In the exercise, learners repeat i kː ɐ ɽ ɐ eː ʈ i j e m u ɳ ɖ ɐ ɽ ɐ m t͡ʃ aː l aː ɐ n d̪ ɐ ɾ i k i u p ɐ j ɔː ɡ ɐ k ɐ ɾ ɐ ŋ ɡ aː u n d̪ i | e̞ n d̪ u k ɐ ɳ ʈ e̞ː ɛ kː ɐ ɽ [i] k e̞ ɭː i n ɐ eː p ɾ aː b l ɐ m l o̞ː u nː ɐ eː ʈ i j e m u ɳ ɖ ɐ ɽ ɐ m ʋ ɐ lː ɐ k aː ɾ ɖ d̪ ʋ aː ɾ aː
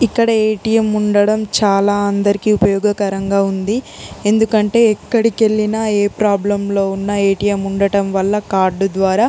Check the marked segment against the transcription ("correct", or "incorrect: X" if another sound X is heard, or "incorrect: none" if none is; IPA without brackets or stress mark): correct